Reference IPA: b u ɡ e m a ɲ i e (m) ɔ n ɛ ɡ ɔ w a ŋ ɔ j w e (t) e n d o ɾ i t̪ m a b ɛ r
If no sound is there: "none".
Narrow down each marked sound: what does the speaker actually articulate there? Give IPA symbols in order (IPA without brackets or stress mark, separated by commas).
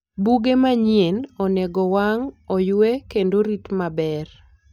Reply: n, k